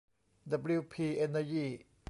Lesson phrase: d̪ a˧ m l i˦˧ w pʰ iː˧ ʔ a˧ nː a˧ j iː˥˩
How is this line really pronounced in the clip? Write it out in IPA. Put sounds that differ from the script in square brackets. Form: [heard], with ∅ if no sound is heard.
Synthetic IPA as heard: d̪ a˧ [b] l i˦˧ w pʰ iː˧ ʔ [e˧] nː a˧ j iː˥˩